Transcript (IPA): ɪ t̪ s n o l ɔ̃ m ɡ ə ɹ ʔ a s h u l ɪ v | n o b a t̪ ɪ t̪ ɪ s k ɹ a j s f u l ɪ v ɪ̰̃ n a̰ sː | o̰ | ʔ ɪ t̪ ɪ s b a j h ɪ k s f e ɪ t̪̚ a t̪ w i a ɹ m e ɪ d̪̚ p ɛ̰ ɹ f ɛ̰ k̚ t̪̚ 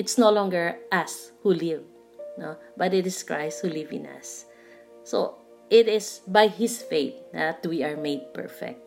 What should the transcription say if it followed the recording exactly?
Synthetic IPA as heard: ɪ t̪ s n o l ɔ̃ ŋ ɡ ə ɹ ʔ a s h u l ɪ v | n o b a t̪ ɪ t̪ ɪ s k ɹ a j s h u l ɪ v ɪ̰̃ n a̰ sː | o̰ | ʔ ɪ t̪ ɪ s b a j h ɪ s f e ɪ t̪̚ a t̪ w i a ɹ m e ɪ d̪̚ p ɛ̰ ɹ f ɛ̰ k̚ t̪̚